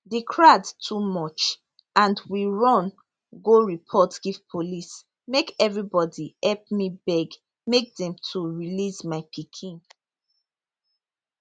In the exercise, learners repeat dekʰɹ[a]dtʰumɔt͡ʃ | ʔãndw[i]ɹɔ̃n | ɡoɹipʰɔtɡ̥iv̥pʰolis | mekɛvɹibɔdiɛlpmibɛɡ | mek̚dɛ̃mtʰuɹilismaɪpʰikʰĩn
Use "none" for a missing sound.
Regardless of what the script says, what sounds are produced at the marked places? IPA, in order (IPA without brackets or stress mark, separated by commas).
a, i